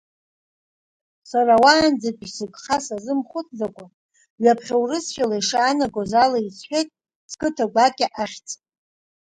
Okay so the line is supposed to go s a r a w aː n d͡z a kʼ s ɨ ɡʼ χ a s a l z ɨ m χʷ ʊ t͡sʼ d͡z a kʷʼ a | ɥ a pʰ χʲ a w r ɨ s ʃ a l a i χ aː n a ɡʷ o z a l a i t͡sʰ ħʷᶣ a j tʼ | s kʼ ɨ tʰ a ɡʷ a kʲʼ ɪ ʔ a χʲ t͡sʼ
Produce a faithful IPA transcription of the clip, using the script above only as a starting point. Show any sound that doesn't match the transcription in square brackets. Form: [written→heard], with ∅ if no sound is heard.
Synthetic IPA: s a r a w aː n d͡z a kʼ s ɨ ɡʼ χ a s a [l→∅] z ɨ m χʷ ʊ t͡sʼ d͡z a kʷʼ a | ɥ a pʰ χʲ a w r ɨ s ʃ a l a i [χ→ʂ] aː n a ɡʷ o z a l a i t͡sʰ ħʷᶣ [a→e] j tʼ | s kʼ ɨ tʰ a ɡʷ a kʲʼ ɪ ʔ a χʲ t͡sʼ